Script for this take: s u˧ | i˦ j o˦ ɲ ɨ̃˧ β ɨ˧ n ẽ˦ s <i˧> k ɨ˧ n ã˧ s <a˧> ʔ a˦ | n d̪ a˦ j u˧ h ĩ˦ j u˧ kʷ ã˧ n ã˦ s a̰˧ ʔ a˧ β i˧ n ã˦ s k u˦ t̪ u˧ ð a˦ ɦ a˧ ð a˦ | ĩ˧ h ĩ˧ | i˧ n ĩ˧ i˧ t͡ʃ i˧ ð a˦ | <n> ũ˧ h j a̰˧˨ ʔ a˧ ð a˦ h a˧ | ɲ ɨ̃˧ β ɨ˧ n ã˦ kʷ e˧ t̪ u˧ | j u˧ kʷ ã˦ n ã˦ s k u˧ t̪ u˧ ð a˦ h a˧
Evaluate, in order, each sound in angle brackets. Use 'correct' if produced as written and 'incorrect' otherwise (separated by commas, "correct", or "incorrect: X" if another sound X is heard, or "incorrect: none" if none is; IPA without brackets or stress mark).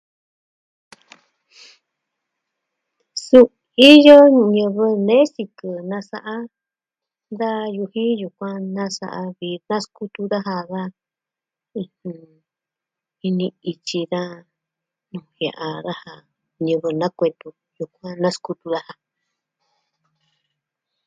correct, correct, correct